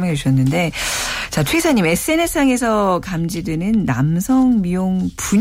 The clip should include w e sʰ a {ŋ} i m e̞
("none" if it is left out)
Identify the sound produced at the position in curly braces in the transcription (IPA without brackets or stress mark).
ɲ